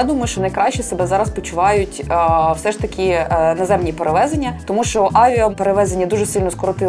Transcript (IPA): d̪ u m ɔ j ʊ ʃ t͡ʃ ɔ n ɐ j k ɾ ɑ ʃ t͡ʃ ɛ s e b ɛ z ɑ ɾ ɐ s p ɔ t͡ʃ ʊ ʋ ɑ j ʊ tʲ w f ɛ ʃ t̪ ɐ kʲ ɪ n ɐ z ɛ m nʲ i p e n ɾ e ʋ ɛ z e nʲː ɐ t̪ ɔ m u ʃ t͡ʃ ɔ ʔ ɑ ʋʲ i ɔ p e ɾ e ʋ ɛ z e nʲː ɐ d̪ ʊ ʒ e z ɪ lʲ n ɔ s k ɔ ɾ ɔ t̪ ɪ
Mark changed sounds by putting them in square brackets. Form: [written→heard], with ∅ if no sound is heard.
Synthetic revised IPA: d̪ u m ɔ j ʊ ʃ t͡ʃ ɔ n ɐ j k ɾ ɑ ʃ t͡ʃ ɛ s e b ɛ z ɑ ɾ ɐ s p ɔ t͡ʃ ʊ ʋ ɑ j ʊ tʲ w [f→s] ɛ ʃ t̪ ɐ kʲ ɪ n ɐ z ɛ m nʲ i p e [n→∅] ɾ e ʋ ɛ z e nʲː ɐ t̪ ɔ m u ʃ t͡ʃ ɔ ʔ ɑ ʋʲ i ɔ p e ɾ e ʋ ɛ z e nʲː ɐ d̪ [ʊ→u] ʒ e [z→s] ɪ lʲ n ɔ s k ɔ ɾ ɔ t̪ ɪ